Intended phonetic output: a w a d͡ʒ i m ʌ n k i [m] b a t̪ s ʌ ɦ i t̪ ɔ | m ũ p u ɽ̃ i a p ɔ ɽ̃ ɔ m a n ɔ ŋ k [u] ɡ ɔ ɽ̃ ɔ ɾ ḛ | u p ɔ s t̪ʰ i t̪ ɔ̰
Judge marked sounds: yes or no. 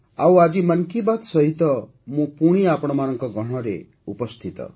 no, no

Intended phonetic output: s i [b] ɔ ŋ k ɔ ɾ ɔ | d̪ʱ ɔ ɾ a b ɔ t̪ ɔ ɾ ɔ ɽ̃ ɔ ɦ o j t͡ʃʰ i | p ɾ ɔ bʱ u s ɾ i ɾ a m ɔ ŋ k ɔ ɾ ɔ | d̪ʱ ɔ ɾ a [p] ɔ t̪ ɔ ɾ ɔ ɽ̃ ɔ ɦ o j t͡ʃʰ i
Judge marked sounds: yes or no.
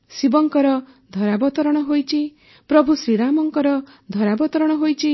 yes, no

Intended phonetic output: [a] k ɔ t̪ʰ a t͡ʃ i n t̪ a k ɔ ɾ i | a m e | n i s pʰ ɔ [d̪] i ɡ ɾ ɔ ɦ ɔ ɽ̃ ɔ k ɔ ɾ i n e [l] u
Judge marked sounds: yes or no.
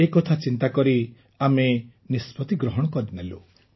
no, no, yes

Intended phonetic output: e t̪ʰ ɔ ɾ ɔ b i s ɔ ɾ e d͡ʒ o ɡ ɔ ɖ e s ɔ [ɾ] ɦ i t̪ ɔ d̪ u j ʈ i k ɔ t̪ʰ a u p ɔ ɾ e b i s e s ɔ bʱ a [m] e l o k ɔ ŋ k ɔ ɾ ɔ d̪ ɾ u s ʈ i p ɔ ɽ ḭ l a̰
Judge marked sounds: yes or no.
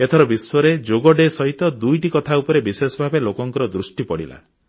no, no

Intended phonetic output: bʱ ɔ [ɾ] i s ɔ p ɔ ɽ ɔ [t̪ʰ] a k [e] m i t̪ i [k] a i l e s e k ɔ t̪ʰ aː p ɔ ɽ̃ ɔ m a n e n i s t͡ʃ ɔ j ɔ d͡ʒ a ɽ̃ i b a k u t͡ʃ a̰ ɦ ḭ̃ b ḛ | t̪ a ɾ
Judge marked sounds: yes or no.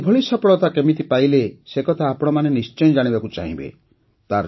no, no, yes, no

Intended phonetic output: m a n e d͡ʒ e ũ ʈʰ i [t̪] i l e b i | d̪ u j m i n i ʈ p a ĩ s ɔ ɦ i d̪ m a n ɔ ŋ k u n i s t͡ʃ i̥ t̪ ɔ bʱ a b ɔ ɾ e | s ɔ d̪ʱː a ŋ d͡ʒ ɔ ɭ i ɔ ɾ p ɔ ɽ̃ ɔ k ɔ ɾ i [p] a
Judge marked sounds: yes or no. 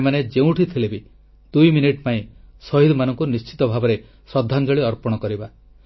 no, no

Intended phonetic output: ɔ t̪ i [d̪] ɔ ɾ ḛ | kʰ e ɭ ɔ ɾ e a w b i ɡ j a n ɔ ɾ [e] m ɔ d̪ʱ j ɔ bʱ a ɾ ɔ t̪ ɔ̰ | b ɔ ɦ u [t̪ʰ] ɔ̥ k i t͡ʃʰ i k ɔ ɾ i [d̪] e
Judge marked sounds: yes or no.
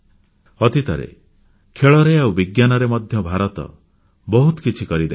no, yes, no, yes

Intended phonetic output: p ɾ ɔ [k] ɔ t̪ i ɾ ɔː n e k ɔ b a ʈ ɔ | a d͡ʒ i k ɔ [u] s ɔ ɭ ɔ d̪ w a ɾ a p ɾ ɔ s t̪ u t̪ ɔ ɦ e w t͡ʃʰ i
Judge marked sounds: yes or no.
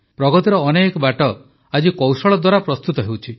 no, no

